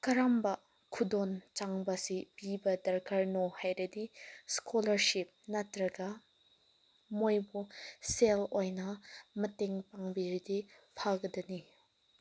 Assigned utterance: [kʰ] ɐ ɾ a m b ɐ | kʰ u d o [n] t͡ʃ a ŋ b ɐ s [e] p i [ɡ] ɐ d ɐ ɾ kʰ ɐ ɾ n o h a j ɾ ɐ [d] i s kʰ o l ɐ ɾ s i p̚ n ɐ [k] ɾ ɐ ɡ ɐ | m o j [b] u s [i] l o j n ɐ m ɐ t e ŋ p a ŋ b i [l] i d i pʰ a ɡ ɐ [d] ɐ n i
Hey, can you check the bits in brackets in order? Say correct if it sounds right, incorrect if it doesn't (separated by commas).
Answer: incorrect, correct, incorrect, incorrect, correct, incorrect, correct, incorrect, incorrect, correct